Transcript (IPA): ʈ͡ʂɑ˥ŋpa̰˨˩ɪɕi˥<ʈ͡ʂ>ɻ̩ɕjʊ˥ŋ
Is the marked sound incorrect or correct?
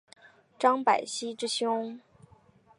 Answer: correct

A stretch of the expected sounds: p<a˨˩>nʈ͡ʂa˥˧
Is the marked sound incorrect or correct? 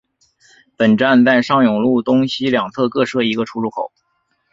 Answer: incorrect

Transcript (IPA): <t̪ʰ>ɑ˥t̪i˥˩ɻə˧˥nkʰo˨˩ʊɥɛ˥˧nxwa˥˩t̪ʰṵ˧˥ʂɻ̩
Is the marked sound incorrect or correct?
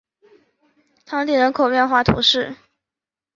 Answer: correct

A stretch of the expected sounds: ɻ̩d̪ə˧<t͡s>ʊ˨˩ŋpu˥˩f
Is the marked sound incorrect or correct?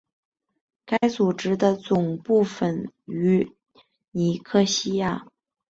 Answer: correct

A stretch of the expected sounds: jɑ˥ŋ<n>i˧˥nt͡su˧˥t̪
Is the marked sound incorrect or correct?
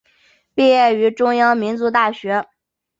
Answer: incorrect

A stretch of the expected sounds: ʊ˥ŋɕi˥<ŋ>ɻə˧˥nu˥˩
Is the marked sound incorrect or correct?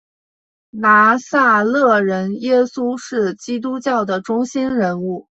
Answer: incorrect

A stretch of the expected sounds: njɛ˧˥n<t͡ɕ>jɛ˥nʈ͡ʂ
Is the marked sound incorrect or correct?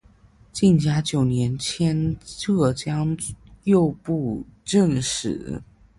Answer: incorrect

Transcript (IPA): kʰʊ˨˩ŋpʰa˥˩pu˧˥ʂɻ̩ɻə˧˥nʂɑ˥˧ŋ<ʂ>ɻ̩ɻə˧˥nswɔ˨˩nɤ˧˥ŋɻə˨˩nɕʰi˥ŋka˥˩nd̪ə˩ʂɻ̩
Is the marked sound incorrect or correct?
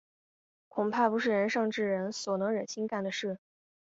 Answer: incorrect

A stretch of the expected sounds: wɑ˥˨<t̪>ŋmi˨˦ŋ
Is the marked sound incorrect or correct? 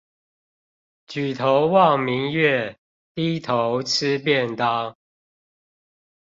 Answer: incorrect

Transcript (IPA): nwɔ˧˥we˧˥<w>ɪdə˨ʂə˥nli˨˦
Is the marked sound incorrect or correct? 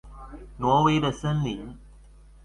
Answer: incorrect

